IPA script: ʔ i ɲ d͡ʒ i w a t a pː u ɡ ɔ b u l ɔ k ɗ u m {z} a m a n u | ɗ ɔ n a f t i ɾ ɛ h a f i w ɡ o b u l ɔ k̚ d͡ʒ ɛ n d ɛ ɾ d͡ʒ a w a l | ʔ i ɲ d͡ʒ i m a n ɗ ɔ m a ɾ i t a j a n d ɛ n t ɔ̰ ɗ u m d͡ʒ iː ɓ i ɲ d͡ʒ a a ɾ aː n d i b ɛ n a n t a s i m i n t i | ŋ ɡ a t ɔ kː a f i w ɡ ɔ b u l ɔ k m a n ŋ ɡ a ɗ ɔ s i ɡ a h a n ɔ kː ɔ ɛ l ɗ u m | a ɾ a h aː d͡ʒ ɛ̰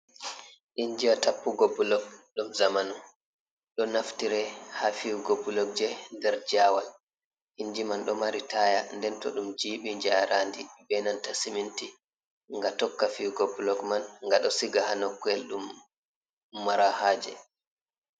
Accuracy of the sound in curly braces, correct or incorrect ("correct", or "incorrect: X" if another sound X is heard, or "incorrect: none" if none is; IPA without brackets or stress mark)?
correct